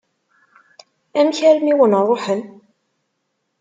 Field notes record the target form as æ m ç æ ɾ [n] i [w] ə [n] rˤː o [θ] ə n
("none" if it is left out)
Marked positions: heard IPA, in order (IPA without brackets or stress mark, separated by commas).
m, w, n, ħ